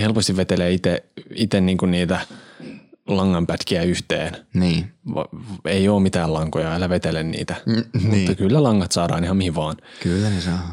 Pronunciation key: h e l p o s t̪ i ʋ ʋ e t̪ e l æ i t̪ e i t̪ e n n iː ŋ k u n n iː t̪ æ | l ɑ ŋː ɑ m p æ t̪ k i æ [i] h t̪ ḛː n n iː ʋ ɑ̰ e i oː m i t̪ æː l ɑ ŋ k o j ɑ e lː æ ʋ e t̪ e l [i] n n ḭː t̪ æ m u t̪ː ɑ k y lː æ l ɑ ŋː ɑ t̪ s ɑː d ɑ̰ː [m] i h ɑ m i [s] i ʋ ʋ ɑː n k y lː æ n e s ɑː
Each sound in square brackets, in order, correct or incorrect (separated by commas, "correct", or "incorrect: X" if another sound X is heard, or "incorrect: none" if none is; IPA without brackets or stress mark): incorrect: y, incorrect: e, incorrect: n, incorrect: h